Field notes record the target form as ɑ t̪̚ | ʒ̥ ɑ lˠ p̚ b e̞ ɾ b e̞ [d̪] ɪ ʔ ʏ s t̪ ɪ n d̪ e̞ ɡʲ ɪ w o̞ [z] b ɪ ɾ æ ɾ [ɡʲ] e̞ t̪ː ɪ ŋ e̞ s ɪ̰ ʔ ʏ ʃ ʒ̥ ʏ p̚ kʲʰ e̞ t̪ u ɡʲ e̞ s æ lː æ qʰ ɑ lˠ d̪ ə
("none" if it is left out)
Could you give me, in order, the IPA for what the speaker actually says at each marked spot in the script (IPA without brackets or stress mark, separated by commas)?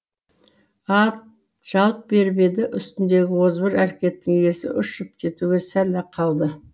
d̪, z, kʲ